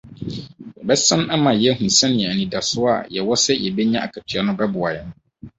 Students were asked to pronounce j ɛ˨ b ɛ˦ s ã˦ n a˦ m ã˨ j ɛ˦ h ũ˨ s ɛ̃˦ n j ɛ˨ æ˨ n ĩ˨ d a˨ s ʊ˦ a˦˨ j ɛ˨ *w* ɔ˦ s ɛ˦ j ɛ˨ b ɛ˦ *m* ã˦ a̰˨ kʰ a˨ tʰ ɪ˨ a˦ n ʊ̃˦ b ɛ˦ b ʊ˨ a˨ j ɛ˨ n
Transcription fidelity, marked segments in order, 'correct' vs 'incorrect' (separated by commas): correct, incorrect